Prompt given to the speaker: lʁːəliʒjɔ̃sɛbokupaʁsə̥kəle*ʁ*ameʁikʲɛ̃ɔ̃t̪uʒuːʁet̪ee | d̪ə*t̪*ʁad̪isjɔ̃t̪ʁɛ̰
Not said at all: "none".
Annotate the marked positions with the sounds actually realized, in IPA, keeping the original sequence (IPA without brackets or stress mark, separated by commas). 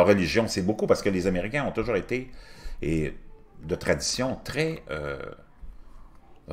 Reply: z, t̪